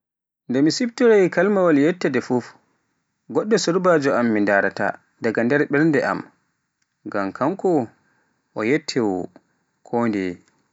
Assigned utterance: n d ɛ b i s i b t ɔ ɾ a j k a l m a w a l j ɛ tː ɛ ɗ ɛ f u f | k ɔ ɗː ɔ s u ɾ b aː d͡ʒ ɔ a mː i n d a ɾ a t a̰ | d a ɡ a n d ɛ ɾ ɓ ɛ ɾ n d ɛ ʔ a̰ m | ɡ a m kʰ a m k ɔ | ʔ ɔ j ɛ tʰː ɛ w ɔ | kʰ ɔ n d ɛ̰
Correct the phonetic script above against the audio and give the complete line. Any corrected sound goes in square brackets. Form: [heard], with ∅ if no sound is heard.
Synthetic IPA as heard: n d ɛ [m] i s i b t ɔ ɾ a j k a l m a w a l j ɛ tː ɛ [d] ɛ f u f | [ɡ] ɔ ɗː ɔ s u ɾ b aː d͡ʒ ɔ a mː i n d a ɾ a t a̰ | d a ɡ a n d ɛ ɾ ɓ ɛ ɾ n d ɛ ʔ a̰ m | ɡ a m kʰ a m k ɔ | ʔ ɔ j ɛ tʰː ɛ w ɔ | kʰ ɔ n d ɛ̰